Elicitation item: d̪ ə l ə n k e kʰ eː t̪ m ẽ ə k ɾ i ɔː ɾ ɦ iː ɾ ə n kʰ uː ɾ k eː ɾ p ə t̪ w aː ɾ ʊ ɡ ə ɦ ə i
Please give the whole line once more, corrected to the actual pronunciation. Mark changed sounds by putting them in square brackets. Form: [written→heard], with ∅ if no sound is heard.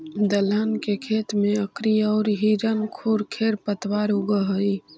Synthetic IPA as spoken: d̪ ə l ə n k e kʰ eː t̪ m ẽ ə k ɾ i ɔː ɾ ɦ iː ɾ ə n kʰ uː ɾ [k→kʰ] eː ɾ p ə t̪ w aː ɾ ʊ ɡ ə ɦ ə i

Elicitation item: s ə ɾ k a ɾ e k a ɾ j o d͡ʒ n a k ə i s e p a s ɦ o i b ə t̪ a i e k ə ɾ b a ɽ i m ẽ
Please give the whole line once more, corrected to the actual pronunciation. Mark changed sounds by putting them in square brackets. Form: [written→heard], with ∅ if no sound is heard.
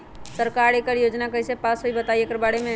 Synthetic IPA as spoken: s ə ɾ k a ɾ e k [a→ə] ɾ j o d͡ʒ n a k ə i s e p a s ɦ o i b ə t̪ a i e k ə ɾ b a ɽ [i→e] m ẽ

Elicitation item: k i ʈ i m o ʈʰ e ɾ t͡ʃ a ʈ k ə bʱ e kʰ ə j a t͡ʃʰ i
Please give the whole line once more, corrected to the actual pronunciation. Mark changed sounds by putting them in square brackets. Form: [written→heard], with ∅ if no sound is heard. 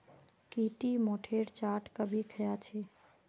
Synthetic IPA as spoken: k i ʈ i m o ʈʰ e ɾ t͡ʃ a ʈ k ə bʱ [e→i] kʰ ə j a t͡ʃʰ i

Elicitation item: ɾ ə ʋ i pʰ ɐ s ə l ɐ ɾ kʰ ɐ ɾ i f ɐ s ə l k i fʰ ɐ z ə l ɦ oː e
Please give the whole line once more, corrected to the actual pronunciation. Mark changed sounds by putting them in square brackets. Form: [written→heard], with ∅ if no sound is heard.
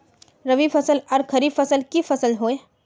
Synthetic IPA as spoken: ɾ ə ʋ i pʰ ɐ s ə l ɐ ɾ kʰ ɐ ɾ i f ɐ s ə l k i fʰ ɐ [z→s] ə l ɦ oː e

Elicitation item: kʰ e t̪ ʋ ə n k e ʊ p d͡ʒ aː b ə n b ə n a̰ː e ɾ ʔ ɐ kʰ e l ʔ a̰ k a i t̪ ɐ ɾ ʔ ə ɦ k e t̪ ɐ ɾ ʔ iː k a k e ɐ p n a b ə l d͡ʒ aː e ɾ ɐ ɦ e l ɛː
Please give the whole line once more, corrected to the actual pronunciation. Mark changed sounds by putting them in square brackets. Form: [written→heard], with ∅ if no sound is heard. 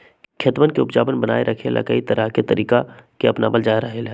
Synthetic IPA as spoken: kʰ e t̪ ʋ ə n k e ʊ p d͡ʒ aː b ə n b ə n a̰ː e ɾ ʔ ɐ kʰ e l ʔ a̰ k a i t̪ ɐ ɾ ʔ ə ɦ k e t̪ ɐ ɾ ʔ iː k a k e ɐ p n a b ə l d͡ʒ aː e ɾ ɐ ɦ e l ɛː

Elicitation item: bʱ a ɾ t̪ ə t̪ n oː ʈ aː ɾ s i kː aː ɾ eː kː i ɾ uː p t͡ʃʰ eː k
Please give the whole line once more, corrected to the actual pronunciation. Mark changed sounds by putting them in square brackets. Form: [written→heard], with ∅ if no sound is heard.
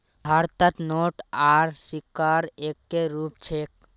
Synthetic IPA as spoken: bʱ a ɾ t̪ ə t̪ n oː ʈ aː ɾ s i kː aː ɾ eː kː [i→e] ɾ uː p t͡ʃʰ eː k

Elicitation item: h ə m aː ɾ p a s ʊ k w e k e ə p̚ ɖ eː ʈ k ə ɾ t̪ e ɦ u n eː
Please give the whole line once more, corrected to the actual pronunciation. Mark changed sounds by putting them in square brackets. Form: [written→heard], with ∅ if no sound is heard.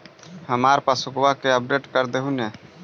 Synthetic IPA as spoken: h ə m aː ɾ p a s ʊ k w [e→a] k e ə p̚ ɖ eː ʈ k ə ɾ [t̪→d̪] e ɦ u n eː

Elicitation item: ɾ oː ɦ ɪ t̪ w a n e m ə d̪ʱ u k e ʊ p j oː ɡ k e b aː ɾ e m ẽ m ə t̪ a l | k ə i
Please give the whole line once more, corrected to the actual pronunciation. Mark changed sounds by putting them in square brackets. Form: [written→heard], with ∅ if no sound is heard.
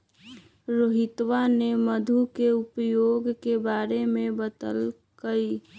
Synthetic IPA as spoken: ɾ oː ɦ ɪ t̪ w a n e m ə d̪ʱ u k e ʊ p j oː ɡ k e b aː ɾ e m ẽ [m→b] ə t̪ [a→ə] l | k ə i

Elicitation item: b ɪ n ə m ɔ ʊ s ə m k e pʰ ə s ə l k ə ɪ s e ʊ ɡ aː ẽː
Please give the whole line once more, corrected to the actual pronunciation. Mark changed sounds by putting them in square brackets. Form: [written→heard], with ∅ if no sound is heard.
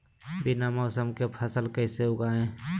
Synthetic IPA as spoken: b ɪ n [ə→a] m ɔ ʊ s ə m k e pʰ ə s ə l k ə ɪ s e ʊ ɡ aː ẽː

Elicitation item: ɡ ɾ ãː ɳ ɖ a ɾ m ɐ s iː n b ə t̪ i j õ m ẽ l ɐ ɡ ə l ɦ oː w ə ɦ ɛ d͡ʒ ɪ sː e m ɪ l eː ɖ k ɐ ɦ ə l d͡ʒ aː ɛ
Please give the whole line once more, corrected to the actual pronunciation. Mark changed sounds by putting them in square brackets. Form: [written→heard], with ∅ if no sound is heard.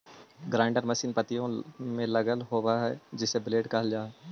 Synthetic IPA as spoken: ɡ ɾ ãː ɳ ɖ [a→ə] ɾ m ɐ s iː n [b→p] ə t̪ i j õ m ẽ l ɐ ɡ ə l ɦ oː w [ə→a] ɦ ɛ d͡ʒ ɪ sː e [m→b] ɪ l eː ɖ k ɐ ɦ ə l d͡ʒ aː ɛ

